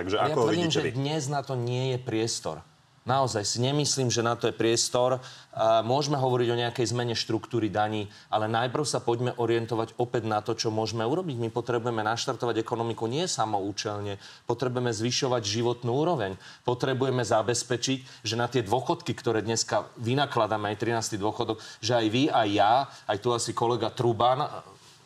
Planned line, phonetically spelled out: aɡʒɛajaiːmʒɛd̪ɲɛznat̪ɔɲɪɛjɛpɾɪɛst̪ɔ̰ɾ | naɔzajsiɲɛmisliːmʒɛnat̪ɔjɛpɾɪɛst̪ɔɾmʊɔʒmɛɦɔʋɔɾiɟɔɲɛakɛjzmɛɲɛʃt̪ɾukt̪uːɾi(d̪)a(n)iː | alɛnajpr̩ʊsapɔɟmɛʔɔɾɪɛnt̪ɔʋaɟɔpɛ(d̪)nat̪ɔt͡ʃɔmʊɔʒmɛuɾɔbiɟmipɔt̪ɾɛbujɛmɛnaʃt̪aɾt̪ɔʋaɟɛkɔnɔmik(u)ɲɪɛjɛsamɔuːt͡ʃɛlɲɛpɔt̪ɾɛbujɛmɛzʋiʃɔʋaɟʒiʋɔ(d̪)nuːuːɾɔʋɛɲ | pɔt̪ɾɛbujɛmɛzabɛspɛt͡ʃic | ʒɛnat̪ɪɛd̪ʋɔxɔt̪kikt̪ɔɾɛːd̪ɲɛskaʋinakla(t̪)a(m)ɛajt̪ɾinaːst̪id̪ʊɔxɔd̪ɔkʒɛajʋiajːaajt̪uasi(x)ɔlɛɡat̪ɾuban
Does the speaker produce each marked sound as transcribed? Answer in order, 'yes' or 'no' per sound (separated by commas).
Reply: yes, no, yes, yes, no, no, yes, no